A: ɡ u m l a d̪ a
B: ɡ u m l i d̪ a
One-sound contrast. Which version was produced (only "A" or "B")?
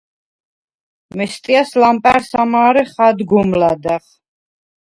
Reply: A